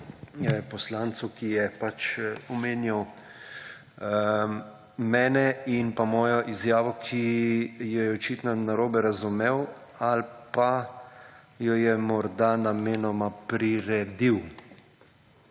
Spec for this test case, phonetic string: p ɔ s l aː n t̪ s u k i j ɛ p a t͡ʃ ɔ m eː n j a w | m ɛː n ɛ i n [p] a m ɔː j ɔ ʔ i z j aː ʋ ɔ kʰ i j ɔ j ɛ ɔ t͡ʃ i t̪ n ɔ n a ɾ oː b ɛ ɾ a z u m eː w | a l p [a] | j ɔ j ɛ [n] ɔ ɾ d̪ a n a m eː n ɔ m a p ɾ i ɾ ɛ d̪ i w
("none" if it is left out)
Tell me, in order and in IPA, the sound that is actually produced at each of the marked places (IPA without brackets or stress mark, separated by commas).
p, a, m